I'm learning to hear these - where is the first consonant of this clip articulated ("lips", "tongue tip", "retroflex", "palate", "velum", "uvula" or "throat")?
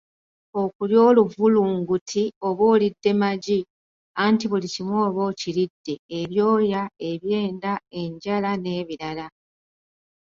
velum